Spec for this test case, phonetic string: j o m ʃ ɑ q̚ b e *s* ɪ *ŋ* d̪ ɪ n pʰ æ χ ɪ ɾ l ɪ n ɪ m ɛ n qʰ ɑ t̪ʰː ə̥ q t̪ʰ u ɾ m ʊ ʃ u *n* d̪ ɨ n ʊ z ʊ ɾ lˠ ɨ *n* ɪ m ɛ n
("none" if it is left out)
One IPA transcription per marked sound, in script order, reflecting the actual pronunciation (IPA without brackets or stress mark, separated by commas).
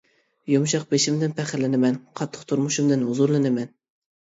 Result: ʃ, m, m, n